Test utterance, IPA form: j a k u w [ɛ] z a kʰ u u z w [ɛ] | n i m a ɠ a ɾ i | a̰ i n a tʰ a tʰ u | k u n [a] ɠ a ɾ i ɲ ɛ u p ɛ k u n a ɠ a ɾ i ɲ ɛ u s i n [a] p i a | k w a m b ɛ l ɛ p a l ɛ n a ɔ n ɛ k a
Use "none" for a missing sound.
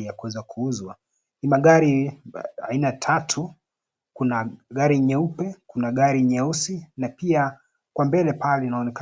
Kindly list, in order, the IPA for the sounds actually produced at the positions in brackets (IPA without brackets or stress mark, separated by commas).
ɛ, a, a, a